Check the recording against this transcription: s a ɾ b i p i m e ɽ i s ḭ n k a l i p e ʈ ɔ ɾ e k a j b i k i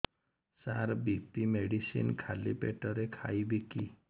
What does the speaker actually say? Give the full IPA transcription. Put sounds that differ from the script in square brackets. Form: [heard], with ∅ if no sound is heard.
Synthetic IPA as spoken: s a ɾ b i p i m e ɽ i s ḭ n [kʰ] a l i p e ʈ ɔ ɾ e [kʰ] a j b i k i